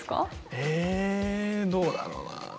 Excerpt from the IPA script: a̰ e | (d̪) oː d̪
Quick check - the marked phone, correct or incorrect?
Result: correct